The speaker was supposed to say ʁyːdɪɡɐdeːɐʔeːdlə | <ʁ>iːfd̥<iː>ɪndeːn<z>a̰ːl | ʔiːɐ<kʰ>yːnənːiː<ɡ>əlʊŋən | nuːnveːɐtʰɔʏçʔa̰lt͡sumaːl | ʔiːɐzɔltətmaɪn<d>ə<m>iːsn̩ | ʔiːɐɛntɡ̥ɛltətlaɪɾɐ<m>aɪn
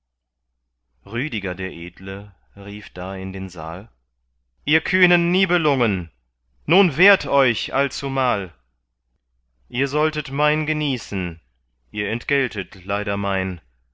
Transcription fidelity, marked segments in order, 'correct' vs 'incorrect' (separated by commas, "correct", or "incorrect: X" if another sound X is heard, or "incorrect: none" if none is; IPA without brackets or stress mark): correct, incorrect: aː, correct, correct, incorrect: b, incorrect: ɡ, incorrect: n, correct